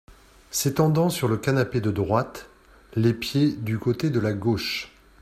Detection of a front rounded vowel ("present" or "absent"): present